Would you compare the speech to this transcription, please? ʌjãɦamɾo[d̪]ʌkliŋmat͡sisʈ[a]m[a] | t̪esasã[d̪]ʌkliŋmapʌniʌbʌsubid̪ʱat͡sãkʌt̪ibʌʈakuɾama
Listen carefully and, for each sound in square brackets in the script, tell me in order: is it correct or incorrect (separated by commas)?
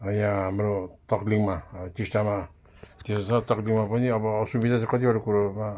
incorrect, correct, correct, incorrect